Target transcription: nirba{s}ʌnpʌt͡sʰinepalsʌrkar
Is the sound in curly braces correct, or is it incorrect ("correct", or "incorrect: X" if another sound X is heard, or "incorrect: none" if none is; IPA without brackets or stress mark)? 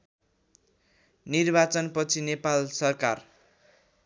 incorrect: t͡s